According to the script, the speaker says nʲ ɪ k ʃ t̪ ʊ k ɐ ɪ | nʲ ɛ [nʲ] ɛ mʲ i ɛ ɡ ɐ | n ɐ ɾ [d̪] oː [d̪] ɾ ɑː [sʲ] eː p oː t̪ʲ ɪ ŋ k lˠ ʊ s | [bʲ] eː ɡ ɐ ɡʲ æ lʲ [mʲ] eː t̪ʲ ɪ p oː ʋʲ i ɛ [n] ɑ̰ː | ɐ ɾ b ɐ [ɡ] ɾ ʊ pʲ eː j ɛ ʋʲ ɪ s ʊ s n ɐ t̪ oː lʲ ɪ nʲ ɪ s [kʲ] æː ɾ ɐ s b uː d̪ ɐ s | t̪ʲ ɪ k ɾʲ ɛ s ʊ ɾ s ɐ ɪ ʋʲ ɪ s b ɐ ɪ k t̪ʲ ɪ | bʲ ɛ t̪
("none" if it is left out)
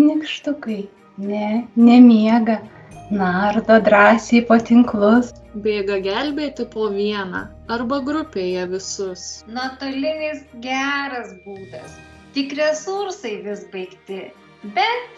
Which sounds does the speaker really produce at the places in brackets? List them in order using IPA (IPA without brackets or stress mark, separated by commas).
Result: nʲ, d̪, d̪, sʲ, bʲ, bʲ, n, ɡ, ɡʲ